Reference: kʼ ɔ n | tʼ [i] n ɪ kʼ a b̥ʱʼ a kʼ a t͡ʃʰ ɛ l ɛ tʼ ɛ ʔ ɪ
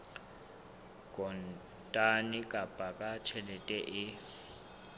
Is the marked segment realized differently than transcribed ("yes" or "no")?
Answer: yes